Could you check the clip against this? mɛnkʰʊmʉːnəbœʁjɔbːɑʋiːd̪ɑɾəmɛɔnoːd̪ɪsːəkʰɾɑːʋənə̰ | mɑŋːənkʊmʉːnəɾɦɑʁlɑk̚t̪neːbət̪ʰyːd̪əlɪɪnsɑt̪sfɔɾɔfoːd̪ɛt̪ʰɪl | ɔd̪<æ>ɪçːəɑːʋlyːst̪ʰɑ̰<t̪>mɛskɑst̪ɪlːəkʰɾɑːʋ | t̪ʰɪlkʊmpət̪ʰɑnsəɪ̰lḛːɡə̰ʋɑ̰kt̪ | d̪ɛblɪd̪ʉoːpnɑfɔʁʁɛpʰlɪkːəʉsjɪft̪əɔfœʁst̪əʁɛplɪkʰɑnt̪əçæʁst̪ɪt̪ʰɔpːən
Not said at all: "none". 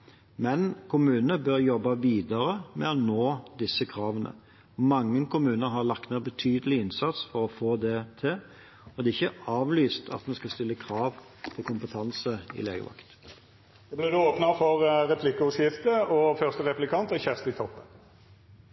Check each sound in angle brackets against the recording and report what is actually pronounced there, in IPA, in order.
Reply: ɛ, t̪

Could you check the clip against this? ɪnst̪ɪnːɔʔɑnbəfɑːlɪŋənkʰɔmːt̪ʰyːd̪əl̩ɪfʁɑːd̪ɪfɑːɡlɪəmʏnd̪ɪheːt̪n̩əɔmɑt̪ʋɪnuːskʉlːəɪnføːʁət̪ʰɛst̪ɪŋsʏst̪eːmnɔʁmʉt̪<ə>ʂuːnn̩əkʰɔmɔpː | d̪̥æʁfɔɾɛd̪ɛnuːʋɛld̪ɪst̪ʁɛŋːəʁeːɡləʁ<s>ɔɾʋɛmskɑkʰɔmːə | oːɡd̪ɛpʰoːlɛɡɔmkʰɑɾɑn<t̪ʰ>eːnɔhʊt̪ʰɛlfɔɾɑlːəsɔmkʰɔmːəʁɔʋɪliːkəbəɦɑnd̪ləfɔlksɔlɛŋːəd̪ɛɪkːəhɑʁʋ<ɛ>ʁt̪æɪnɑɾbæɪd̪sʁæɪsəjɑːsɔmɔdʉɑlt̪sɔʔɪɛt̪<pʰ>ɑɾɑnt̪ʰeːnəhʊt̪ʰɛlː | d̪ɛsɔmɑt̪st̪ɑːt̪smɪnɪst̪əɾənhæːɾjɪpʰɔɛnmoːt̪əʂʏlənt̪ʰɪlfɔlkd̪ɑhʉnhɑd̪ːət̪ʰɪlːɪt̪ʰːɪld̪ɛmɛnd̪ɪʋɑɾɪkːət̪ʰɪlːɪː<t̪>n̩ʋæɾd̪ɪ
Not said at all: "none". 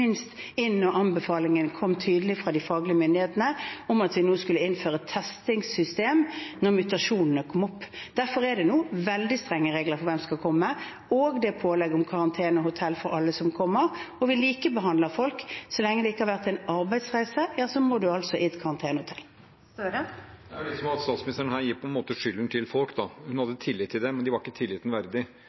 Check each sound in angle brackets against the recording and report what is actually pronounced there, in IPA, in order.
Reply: ɑ, f, t̪ʰ, æ, kʰ, t̪

